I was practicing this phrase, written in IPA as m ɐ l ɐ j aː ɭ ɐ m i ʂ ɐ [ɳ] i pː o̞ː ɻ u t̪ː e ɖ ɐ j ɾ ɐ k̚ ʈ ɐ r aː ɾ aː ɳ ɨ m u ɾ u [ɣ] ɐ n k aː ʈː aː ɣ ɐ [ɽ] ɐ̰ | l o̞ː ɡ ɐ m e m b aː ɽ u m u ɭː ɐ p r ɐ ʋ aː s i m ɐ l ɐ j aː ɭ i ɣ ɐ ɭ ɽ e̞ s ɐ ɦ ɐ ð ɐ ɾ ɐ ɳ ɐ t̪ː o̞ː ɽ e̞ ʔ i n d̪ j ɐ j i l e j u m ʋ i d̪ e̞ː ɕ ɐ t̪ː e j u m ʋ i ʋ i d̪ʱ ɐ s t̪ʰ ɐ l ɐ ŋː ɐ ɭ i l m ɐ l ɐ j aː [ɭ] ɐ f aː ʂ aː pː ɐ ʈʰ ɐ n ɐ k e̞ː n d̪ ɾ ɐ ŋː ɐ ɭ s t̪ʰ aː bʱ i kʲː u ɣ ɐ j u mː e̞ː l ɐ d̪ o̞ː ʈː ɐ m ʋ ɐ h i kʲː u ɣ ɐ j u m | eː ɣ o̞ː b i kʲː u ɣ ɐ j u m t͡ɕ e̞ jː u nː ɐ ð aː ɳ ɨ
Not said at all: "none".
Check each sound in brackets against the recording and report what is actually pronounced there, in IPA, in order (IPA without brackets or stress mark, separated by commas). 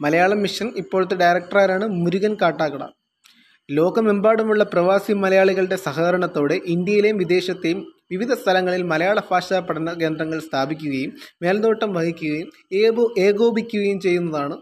n, ɣ, ɽ, ɭ